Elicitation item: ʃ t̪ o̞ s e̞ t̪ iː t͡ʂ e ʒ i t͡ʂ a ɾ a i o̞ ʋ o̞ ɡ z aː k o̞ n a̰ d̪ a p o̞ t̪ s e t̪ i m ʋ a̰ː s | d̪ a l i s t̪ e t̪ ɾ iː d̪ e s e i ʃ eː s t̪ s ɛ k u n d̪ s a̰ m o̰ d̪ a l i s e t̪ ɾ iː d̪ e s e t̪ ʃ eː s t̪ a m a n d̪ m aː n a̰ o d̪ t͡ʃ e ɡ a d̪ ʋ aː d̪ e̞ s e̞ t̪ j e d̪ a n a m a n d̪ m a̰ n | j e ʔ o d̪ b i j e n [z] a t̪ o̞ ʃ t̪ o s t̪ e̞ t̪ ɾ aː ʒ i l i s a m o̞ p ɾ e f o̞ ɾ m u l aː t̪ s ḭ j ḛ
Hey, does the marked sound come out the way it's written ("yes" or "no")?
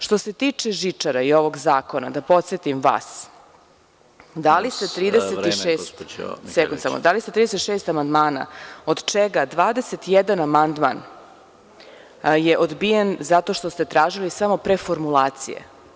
yes